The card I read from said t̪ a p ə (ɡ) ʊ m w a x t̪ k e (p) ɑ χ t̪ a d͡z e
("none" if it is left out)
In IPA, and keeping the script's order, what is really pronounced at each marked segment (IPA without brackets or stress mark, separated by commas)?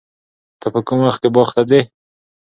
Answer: k, b